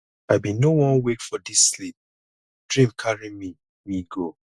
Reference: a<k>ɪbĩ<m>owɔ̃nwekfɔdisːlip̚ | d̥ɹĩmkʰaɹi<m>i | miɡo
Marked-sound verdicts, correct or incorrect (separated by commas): incorrect, incorrect, correct